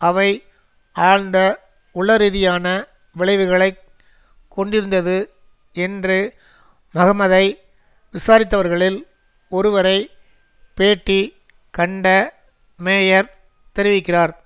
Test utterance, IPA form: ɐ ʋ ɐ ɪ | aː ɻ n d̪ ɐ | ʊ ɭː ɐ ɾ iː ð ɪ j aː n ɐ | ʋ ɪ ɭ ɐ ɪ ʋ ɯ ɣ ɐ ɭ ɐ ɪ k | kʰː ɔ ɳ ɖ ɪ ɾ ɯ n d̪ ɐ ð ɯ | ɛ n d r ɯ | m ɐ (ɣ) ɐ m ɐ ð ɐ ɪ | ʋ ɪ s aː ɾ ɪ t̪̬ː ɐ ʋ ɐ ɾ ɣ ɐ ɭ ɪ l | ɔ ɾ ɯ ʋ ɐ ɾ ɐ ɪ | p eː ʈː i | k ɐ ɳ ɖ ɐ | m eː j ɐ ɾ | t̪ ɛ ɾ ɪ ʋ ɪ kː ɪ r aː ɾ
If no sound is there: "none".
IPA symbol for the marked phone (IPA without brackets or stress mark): ɣ